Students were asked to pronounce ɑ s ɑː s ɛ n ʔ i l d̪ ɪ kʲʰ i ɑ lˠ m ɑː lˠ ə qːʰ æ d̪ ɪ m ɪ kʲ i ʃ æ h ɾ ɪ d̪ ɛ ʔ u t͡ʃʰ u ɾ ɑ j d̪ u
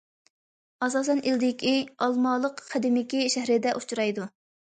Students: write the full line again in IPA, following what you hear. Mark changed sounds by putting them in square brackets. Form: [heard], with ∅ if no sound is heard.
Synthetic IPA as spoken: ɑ s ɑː s ɛ n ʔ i l d̪ ɪ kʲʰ i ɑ lˠ m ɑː lˠ ə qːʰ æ d̪ ɪ m ɪ kʲ i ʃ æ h ɾ ɪ d̪ ɛ ʔ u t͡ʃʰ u ɾ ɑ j d̪ u